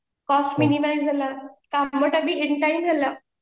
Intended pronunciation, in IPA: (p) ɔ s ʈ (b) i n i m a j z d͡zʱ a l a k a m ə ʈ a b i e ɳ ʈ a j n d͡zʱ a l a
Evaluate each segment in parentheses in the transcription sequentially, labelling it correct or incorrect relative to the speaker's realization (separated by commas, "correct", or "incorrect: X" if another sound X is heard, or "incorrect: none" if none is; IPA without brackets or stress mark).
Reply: incorrect: k, incorrect: m